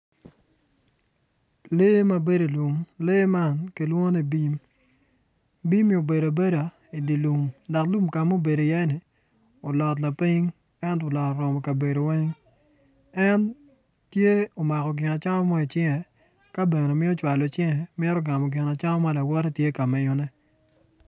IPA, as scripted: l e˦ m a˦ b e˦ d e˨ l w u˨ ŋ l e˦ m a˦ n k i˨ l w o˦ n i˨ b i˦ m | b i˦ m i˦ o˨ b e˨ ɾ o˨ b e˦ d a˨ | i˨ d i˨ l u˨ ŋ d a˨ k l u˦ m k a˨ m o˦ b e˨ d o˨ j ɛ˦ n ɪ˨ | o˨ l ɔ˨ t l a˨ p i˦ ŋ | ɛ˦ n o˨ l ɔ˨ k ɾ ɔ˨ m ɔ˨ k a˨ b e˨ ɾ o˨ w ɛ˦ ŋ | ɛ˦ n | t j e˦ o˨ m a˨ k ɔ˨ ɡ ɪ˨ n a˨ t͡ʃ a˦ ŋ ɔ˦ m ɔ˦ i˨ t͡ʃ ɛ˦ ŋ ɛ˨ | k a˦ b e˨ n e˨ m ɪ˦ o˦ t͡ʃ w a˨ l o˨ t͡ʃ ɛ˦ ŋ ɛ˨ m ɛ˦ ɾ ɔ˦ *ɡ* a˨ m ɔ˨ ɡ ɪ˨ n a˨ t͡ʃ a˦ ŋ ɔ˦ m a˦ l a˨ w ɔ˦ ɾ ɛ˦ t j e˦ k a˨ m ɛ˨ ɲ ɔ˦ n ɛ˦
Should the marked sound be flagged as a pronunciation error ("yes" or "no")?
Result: no